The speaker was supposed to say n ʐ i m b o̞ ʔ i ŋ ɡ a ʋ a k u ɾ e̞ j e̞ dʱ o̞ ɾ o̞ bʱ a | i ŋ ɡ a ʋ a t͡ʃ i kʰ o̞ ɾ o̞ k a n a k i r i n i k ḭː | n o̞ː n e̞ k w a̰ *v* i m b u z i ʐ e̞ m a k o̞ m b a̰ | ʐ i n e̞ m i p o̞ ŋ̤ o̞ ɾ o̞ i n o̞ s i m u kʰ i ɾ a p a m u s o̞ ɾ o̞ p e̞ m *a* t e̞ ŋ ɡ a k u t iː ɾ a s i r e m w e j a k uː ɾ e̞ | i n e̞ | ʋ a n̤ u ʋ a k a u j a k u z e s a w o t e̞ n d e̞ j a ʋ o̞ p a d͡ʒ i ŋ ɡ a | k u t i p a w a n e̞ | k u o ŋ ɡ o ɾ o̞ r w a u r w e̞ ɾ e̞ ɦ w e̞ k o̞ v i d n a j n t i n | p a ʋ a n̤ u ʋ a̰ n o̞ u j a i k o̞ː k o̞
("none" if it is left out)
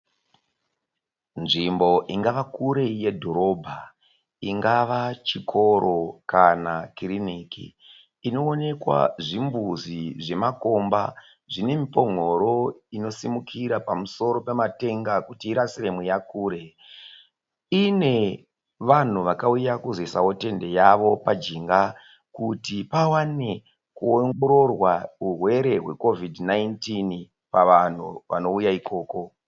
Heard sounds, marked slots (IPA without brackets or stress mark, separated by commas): ʐ, a